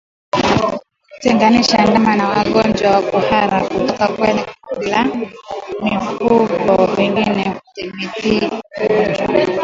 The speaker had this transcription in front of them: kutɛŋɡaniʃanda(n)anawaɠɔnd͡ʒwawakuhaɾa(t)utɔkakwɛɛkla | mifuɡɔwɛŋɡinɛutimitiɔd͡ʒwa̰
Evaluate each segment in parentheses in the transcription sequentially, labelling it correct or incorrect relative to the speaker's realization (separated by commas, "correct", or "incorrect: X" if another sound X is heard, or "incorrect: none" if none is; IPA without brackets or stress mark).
incorrect: m, incorrect: k